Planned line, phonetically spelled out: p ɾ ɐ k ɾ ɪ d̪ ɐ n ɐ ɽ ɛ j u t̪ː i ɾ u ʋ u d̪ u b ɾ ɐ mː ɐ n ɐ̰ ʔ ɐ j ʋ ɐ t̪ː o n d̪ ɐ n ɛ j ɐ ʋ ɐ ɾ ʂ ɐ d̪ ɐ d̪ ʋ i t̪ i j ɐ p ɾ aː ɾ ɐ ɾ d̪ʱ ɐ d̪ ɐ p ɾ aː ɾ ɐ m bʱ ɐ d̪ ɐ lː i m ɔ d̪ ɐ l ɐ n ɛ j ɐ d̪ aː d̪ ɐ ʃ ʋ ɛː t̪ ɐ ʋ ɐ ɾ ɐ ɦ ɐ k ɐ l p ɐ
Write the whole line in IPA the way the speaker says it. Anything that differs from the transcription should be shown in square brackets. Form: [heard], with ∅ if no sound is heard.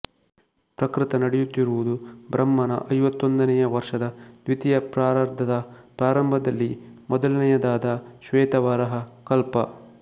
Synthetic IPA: p ɾ ɐ k ɾ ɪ [t̪] ɐ n ɐ ɽ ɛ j u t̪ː i ɾ u ʋ u d̪ u b ɾ ɐ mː ɐ n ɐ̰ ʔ ɐ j ʋ ɐ t̪ː o n d̪ ɐ n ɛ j ɐ ʋ ɐ ɾ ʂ ɐ d̪ ɐ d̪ ʋ i t̪ i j ɐ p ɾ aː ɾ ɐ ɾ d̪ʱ ɐ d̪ ɐ p ɾ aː ɾ ɐ m bʱ ɐ d̪ ɐ lː i m ɔ d̪ ɐ l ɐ n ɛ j ɐ d̪ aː d̪ ɐ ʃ ʋ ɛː t̪ ɐ ʋ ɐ ɾ ɐ ɦ ɐ k ɐ l p ɐ